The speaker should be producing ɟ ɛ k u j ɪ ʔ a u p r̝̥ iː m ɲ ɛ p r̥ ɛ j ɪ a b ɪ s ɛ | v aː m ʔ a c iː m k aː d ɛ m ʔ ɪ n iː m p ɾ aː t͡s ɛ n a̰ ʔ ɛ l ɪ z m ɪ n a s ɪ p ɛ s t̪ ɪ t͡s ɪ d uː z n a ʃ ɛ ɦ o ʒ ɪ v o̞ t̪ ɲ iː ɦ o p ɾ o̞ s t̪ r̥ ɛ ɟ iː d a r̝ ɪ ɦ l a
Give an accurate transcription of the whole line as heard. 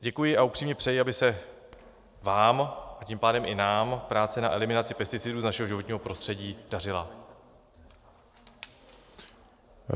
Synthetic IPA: ɟ ɛ k u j ɪ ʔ a u p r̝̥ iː m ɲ ɛ p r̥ ɛ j ɪ a b ɪ s ɛ | v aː m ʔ a c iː m p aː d ɛ m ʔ ɪ n aː m p ɾ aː t͡s ɛ n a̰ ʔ ɛ l ɪ m ɪ n a t͡s ɪ p ɛ s t̪ ɪ t͡s ɪ d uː z n a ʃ ɛ ɦ o ʒ ɪ v o̞ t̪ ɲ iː ɦ o p ɾ o̞ s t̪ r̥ ɛ ɟ iː d a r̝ ɪ l a